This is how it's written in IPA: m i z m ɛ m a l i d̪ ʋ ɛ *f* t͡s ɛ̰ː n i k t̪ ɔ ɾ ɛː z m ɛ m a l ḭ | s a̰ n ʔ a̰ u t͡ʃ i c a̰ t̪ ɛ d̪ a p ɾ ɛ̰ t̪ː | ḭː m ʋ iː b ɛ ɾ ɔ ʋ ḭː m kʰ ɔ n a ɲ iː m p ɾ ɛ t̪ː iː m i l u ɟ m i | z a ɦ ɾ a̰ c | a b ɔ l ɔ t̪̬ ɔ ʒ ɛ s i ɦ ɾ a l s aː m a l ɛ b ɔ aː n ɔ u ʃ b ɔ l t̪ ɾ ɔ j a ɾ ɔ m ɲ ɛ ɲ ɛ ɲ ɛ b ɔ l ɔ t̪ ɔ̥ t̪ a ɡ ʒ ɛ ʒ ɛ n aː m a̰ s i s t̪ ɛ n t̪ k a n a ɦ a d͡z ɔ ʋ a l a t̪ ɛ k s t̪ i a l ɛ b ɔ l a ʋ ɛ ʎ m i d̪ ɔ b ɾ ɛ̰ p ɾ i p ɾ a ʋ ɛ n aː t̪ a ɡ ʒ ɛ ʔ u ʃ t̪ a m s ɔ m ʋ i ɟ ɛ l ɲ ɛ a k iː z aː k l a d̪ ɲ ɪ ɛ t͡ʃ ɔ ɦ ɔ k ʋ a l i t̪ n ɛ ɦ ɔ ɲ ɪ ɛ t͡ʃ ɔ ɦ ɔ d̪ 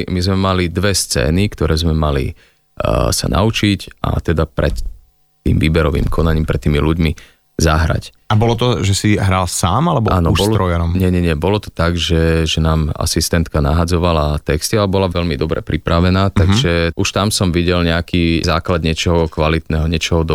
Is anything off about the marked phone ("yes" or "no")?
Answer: yes